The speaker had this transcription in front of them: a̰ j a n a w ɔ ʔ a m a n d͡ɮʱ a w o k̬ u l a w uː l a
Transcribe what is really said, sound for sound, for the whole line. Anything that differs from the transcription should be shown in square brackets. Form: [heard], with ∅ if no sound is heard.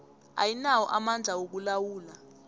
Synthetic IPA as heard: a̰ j [i] n a w ɔ ʔ a m a n d͡ɮʱ a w o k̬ u l a w uː l a